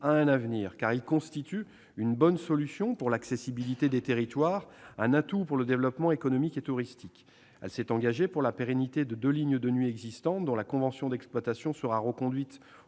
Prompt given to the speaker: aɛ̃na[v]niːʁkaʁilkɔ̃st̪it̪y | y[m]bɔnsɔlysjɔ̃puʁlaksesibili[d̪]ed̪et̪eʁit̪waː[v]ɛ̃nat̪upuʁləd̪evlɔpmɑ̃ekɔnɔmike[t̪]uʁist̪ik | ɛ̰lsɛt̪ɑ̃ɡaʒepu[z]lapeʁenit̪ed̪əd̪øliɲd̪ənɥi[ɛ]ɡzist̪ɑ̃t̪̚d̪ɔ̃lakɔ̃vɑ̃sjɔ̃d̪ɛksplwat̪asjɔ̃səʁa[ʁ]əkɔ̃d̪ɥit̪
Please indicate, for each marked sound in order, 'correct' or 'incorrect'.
correct, incorrect, incorrect, incorrect, correct, incorrect, correct, correct

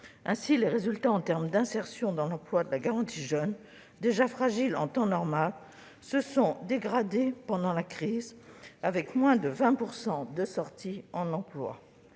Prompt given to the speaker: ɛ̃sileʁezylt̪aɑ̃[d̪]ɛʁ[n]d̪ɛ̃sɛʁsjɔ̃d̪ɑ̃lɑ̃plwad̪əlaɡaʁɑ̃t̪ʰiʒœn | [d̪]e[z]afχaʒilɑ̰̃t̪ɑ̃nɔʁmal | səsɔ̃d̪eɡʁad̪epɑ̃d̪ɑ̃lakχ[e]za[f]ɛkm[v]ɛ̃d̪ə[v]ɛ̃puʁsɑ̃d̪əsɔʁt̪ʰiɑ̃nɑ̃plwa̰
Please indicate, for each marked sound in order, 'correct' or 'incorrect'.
incorrect, incorrect, correct, incorrect, incorrect, incorrect, incorrect, correct

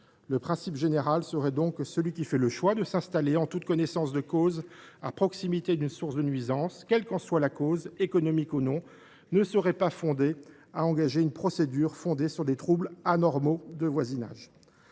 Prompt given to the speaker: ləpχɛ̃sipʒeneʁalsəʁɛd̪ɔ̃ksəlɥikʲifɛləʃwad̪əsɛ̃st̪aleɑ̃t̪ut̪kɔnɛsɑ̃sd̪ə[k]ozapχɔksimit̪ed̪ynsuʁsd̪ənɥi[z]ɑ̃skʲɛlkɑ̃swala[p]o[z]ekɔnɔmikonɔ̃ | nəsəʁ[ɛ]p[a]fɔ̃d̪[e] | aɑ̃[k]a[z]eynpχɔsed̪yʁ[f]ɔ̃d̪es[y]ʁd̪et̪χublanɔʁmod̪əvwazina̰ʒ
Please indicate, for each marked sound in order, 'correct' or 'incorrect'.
correct, correct, incorrect, correct, correct, correct, correct, incorrect, incorrect, correct, correct

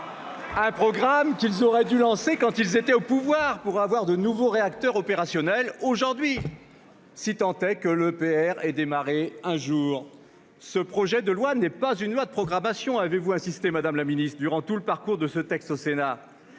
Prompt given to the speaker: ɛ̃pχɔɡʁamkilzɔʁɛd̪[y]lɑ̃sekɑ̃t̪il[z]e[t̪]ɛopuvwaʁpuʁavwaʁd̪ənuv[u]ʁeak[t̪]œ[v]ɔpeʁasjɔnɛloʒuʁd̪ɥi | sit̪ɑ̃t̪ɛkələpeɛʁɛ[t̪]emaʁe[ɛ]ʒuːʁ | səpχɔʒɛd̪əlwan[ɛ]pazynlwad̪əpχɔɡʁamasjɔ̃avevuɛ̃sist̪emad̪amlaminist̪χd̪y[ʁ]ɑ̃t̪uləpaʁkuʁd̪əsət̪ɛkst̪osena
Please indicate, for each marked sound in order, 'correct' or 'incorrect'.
correct, correct, correct, incorrect, correct, incorrect, incorrect, incorrect, correct, correct

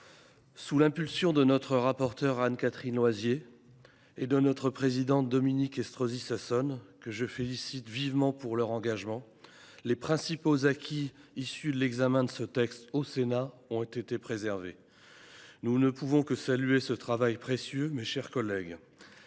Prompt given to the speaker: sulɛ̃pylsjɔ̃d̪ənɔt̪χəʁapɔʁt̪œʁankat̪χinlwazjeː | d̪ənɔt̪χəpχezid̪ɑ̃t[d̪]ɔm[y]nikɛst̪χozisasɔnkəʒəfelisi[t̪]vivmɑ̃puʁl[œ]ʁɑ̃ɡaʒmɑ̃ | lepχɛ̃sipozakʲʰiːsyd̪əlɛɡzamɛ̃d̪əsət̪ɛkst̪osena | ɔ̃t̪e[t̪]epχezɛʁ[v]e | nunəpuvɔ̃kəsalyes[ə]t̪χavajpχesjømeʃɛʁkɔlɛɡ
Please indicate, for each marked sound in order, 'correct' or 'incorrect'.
correct, incorrect, correct, correct, correct, correct, correct

